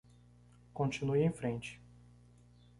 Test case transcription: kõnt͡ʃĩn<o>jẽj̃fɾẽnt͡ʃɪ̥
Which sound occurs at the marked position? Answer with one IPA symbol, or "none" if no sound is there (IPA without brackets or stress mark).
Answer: u